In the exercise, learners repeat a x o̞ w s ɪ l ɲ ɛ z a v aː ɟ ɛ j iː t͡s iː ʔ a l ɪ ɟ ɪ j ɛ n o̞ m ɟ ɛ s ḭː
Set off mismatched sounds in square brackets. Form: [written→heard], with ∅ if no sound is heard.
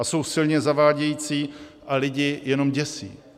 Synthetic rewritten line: a [x→s] o̞ w s ɪ l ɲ ɛ z a v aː ɟ ɛ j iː t͡s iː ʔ a l ɪ ɟ ɪ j ɛ n o̞ m ɟ ɛ s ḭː